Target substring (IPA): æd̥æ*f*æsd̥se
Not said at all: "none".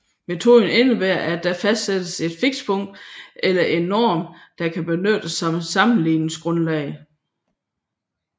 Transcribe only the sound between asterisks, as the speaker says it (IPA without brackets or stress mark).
f